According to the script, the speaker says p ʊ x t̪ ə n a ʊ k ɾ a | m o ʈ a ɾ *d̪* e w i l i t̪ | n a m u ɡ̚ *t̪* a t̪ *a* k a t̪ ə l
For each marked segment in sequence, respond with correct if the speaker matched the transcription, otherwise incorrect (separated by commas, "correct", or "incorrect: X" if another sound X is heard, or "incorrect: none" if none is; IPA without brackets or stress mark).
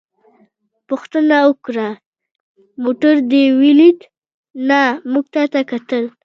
correct, correct, correct